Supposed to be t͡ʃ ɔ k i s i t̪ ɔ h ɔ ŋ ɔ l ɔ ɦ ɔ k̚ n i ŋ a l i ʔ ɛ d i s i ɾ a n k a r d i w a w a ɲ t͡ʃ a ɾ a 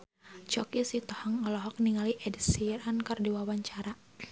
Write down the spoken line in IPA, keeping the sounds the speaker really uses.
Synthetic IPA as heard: t͡ʃ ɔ k i s i t̪ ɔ h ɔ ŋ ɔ l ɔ ɦ ɔ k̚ n i ŋ a l i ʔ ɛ d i s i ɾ a n k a r d i w a w a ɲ t͡ʃ a ɾ a